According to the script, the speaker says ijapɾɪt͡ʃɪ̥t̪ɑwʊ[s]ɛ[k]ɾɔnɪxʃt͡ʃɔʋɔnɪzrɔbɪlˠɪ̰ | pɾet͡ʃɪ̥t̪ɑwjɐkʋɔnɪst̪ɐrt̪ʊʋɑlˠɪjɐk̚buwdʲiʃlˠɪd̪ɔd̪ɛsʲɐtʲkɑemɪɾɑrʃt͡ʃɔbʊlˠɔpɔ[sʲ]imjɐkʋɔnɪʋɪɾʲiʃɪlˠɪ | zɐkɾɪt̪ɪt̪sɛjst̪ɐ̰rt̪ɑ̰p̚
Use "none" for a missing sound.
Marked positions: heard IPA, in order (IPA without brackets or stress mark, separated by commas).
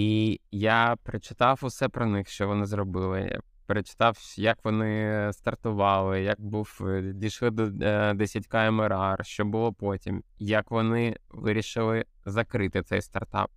s, p, tʲ